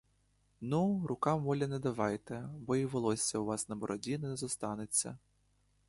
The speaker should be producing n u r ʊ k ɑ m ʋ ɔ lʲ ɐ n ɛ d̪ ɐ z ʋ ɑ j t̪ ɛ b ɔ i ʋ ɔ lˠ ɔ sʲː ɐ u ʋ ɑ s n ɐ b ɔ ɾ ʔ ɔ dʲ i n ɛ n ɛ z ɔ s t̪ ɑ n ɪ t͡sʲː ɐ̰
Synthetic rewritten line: n u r ʊ k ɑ m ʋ ɔ lʲ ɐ n ɛ d̪ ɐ ʋ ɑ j t̪ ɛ b ɔ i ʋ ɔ lˠ ɔ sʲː ɐ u ʋ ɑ s n ɐ b ɔ ɾ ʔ ɔ dʲ i n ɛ n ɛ z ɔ s t̪ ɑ n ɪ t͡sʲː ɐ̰